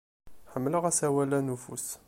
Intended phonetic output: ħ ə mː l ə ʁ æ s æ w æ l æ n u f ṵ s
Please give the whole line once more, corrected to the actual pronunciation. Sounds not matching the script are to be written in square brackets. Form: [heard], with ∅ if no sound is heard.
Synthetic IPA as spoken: ħ ə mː l ə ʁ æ s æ w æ l æ n u f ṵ s